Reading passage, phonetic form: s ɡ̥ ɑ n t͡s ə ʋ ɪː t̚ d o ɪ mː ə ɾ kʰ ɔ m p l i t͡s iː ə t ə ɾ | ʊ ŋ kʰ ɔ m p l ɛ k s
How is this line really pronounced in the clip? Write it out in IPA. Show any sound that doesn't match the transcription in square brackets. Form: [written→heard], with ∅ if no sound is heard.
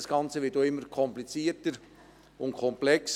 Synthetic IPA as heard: s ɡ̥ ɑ n t͡s ə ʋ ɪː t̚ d o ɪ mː ə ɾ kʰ ɔ m p l i t͡s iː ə t ə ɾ | ʊ [ŋ→n] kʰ ɔ m p l ɛ k s

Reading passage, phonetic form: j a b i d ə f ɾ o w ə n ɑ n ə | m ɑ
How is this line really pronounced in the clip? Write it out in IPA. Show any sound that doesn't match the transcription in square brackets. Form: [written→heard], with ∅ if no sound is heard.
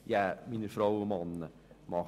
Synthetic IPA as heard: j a [b→m] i [d→n] ə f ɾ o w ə [n→m] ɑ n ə | m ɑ

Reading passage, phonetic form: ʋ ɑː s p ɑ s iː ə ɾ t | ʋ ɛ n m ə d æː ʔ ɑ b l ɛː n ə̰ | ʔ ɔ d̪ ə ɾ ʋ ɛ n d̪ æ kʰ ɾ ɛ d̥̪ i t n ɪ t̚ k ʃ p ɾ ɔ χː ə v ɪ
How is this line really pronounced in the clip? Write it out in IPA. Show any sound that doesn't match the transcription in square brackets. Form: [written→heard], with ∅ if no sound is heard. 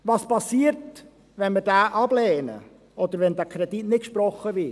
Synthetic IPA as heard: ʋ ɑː s p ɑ s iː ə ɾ t | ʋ ɛ n m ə d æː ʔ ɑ b l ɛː n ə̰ | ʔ ɔ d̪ ə ɾ ʋ ɛ n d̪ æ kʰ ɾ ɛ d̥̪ i t n ɪ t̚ k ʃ p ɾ ɔ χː ə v ɪ

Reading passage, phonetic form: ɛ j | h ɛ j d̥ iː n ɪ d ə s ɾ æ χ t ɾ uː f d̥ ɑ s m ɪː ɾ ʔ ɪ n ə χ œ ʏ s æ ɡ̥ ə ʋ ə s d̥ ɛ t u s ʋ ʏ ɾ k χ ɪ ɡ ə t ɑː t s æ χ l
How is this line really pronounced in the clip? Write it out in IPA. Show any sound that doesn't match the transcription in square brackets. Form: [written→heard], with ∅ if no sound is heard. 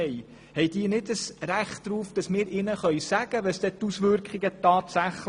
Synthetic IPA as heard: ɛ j | h ɛ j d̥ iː n ɪ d ə s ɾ æ χ t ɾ uː f d̥ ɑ s m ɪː ɾ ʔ ɪ n ə χ œ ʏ s æ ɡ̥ ə ʋ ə s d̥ ɛ t u s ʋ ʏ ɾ k χ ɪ ɡ ə t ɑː t s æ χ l

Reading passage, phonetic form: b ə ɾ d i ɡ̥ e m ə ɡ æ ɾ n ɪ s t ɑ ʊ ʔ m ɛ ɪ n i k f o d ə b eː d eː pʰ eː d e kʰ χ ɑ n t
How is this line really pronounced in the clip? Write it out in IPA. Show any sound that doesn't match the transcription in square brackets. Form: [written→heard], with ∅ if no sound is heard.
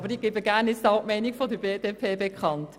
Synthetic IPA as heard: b ə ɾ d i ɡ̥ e [m→b] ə ɡ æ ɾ n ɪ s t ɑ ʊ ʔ m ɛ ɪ n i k f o d ə b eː d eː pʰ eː [d→b] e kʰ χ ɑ n t

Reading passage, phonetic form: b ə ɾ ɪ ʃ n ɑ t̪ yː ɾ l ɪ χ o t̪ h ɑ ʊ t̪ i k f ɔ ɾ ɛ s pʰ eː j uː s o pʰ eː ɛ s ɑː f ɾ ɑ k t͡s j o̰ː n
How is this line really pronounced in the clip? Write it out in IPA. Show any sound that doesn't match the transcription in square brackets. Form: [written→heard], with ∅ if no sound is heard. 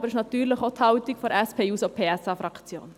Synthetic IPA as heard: b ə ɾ ɪ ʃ n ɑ t̪ yː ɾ l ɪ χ o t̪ h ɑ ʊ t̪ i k f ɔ ɾ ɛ s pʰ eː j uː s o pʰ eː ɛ s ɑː f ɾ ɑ k t͡s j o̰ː n

